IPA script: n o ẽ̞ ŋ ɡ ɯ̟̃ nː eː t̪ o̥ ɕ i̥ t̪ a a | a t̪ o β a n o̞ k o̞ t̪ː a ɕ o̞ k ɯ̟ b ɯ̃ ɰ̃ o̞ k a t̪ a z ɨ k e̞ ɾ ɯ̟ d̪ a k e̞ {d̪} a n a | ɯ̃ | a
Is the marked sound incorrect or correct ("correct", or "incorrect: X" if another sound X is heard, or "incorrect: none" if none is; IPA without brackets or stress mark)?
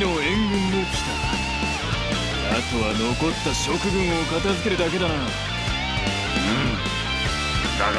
correct